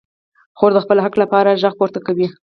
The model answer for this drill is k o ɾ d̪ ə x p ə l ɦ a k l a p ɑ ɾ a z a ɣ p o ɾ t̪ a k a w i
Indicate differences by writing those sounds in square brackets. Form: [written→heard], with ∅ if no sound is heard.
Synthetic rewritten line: [k→x] o ɾ d̪ ə x p ə l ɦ a k l a p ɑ ɾ a [z→ʒ] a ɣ p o ɾ t̪ a k a w i